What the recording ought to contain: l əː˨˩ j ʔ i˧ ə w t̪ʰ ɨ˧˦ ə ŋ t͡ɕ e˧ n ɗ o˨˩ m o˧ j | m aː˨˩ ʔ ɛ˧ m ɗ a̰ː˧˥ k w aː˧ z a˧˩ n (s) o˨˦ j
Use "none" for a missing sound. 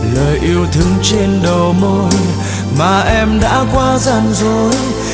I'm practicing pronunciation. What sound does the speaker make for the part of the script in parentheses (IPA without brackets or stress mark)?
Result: z